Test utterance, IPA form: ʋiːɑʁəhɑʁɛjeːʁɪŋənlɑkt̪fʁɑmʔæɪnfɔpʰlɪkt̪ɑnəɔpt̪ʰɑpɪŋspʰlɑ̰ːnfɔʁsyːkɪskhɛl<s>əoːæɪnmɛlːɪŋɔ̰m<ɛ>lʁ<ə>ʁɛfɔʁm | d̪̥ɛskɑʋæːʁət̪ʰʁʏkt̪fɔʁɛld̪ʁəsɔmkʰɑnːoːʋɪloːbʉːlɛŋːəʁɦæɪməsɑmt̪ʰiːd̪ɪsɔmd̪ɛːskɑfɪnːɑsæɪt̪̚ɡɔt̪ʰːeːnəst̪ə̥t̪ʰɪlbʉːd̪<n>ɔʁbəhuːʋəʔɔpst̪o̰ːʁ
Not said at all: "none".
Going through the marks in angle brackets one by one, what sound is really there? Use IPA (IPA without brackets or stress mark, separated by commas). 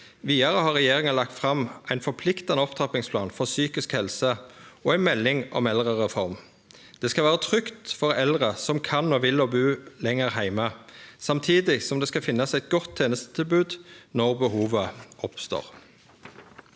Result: s, ɛ, ə, n